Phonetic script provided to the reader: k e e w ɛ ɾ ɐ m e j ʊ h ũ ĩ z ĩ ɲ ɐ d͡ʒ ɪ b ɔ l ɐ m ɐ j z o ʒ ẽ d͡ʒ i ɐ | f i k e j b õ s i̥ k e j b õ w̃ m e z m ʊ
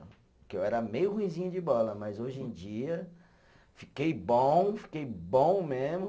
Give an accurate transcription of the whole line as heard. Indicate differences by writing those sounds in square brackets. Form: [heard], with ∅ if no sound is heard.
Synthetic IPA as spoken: k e e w ɛ ɾ ɐ m e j ʊ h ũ ĩ z ĩ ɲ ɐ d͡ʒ ɪ b ɔ l ɐ m ɐ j z o ʒ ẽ d͡ʒ i ɐ | f i k e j b õ [f] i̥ k e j b õ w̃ m e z m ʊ